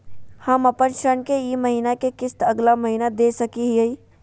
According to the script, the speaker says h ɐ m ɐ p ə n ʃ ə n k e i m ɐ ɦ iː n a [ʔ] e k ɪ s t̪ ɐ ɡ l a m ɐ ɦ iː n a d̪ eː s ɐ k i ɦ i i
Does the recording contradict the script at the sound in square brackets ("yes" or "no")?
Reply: yes